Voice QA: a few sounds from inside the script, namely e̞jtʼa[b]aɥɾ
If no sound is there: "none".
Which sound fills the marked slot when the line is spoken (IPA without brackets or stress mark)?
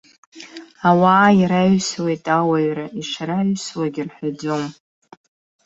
w